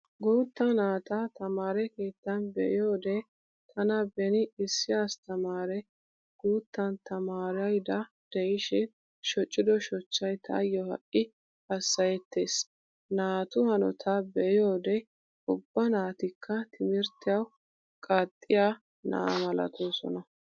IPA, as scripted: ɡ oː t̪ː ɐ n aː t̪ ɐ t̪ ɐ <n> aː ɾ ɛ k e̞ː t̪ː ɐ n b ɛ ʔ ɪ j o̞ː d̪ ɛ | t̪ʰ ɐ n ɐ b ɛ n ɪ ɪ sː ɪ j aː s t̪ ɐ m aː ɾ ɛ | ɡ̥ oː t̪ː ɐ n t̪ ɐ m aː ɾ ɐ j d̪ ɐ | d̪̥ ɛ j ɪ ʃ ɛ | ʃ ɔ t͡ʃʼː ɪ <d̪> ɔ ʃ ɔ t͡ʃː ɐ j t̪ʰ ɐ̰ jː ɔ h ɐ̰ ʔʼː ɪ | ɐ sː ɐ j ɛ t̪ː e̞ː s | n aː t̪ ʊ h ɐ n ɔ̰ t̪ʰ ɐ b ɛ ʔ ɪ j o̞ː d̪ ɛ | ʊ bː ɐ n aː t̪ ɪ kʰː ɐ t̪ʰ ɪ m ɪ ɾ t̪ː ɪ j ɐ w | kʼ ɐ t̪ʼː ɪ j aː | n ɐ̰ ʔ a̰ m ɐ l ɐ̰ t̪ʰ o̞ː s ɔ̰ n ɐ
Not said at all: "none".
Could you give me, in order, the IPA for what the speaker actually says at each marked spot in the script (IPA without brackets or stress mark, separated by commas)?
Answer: m, d̪